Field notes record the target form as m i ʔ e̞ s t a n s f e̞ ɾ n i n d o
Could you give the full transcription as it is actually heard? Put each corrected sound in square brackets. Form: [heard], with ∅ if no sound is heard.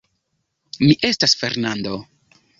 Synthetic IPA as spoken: m i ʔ e̞ s t a [∅] s f e̞ ɾ n [a] n d o